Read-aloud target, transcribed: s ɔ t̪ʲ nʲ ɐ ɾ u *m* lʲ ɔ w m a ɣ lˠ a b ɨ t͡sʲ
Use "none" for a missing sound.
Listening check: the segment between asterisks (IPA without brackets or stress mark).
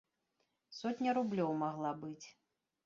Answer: b